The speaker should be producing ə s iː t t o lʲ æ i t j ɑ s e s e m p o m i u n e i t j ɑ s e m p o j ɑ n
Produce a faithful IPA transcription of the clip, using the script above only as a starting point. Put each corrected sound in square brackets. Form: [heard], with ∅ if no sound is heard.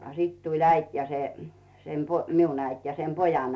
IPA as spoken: [ɑ] s [i] t t [u] lʲ æ i t j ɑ s e s e m p o m i u n [æ] i t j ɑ s e m p o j ɑ n